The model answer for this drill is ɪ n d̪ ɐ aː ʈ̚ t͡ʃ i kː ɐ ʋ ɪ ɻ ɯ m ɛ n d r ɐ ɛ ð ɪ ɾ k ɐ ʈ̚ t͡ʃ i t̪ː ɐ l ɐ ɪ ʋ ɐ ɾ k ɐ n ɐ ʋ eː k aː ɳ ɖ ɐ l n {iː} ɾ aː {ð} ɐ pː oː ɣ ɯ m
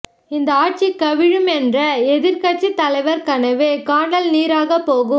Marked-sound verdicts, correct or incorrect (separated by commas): correct, incorrect